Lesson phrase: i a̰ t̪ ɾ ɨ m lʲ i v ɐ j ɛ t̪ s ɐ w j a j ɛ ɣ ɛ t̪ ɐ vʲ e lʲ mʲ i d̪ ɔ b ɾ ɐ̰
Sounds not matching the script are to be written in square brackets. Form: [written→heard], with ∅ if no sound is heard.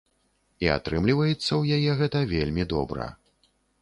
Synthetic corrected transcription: i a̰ t̪ ɾ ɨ m lʲ i v ɐ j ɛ t̪ [s→sː] ɐ w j a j ɛ ɣ ɛ t̪ ɐ vʲ e lʲ mʲ i d̪ ɔ b ɾ ɐ̰